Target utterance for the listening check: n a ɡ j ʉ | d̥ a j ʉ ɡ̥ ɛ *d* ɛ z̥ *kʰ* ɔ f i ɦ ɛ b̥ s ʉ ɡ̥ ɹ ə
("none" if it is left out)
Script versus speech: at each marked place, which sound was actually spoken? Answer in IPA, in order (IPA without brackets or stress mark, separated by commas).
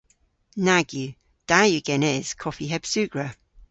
n, kʰ